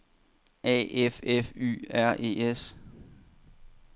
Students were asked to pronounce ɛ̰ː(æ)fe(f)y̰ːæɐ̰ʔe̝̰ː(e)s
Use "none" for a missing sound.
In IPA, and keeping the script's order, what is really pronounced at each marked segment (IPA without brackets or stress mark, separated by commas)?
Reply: e, f, e